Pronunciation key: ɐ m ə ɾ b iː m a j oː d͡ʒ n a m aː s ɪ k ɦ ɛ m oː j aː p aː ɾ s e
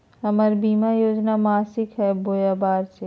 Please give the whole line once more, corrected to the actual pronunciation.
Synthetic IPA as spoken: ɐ m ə ɾ b iː m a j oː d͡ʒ n a m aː s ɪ k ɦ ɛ b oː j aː b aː ɾ s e